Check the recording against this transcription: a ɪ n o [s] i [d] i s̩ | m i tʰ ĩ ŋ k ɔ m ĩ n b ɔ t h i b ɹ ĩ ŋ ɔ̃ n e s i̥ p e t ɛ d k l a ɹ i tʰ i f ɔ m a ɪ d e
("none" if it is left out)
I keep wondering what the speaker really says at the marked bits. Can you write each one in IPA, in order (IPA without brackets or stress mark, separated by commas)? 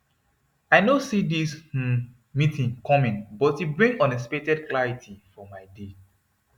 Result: s, d